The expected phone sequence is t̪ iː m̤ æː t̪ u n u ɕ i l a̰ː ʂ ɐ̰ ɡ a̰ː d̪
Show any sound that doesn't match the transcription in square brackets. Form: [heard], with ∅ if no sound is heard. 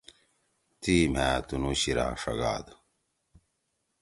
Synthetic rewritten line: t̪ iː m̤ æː t̪ u n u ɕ i [ɾ] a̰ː ʂ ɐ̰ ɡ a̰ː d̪